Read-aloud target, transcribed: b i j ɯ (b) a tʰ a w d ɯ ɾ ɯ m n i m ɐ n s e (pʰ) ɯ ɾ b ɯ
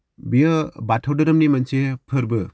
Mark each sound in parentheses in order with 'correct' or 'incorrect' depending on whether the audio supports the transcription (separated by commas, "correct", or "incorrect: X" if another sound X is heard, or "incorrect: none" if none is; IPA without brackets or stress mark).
correct, correct